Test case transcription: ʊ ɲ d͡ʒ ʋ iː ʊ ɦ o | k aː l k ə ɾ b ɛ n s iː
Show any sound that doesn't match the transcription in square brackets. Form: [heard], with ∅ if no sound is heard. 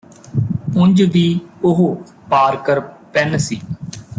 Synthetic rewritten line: ʊ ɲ d͡ʒ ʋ iː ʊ ɦ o | [p] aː [ɾ] k ə ɾ [p] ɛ n s iː